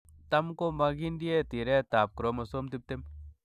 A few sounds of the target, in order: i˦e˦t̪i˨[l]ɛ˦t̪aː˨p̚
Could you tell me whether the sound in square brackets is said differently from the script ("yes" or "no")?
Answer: yes